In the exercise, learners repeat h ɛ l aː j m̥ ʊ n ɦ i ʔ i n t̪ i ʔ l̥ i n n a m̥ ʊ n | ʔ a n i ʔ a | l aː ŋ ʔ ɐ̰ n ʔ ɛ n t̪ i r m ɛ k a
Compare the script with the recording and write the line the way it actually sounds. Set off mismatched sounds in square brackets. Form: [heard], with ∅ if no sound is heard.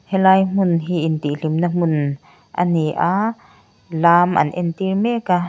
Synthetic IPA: h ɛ l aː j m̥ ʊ n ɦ i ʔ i n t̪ i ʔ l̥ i [m] n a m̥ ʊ n | ʔ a n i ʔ a | l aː [m] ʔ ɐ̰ n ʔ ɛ n t̪ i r m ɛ k a